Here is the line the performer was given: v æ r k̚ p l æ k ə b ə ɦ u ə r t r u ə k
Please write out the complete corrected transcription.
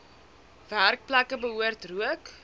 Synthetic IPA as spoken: v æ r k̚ p l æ k ə b ə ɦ u ə r t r u ə k